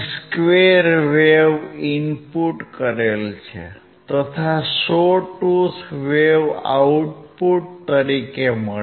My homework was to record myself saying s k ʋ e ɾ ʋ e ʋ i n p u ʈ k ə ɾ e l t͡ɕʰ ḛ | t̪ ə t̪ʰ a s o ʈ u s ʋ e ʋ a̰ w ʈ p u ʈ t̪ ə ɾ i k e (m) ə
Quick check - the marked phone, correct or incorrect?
correct